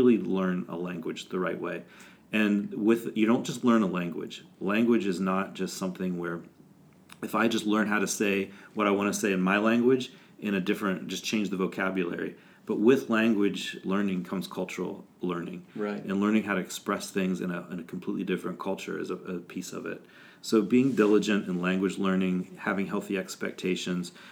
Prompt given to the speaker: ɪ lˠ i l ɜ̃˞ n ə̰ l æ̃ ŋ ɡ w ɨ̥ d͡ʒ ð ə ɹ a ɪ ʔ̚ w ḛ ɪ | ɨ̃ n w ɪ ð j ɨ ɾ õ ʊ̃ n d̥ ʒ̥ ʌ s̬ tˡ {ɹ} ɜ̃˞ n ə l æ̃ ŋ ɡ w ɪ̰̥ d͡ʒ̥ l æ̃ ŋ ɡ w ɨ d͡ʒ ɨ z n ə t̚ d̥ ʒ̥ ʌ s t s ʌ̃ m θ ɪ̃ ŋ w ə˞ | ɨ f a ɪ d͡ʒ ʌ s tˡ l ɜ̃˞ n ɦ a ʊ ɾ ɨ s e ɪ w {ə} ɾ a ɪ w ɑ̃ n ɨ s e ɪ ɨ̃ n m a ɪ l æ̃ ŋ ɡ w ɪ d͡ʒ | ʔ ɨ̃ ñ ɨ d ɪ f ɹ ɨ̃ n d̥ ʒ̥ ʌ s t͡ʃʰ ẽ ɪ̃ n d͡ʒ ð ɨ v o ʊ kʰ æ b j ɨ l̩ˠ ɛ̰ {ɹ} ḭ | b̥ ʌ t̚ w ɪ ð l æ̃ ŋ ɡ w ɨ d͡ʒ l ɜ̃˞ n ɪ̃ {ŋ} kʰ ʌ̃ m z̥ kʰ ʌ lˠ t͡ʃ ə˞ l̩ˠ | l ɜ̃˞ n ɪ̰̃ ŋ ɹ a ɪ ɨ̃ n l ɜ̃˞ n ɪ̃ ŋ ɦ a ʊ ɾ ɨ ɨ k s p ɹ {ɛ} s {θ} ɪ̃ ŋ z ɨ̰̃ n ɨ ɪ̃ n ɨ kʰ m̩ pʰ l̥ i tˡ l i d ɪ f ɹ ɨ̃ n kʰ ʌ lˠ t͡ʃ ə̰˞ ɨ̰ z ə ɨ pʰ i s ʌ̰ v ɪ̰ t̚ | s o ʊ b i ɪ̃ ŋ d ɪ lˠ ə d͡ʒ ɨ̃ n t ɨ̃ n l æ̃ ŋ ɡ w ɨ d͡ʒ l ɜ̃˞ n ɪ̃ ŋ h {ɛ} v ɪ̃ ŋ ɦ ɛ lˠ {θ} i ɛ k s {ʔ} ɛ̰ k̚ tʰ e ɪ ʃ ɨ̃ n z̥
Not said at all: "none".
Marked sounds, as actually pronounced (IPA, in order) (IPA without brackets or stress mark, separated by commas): l, ʌ, ɹ, ŋ, ɛ, θ, æ, θ, p